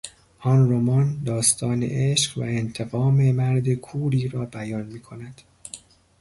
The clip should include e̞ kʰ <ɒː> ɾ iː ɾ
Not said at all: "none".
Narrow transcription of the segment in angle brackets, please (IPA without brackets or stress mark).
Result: uː